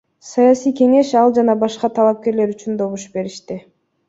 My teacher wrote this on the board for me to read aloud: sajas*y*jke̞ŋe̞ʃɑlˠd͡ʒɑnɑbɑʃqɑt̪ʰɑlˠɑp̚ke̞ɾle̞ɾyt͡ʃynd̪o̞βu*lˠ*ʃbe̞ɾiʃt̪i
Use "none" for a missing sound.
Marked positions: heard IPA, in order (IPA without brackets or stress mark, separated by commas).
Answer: i, none